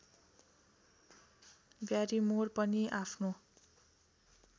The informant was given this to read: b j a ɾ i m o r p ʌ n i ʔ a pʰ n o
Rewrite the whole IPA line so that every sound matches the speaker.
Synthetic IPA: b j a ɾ i m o r p ʌ n i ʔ a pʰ n o